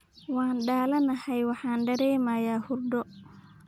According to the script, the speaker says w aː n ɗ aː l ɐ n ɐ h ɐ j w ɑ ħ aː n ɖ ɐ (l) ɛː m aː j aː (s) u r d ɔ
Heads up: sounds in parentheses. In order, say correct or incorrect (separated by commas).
incorrect, incorrect